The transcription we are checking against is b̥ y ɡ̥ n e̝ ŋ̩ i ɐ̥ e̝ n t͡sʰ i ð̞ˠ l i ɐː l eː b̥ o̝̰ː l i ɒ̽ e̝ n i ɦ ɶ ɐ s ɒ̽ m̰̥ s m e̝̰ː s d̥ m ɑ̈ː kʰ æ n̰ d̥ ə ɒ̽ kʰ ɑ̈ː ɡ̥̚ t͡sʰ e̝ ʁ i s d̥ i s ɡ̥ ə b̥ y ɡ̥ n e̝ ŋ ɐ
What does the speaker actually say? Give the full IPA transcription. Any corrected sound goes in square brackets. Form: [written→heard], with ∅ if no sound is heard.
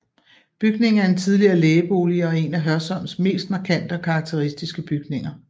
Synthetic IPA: b̥ y ɡ̥ n e̝ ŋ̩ [i→æ] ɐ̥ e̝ n t͡sʰ i ð̞ˠ l i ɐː l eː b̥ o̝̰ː l i ɒ̽ e̝ n [i→æ] ɦ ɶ ɐ s ɒ̽ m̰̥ s m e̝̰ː s d̥ m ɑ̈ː kʰ æ n̰ d̥ ə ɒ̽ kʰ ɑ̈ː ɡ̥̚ t͡sʰ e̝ ʁ i s d̥ i s ɡ̥ ə b̥ y ɡ̥ n e̝ ŋ ɐ